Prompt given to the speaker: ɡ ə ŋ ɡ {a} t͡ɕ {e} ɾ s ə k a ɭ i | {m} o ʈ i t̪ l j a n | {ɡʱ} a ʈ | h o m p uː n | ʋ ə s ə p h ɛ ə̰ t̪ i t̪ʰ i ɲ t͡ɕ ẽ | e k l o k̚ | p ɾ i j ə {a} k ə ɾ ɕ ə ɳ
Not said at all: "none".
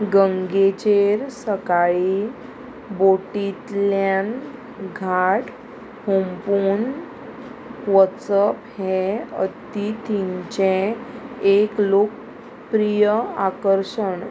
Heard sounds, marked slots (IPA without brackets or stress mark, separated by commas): e, e, b, ɡʱ, a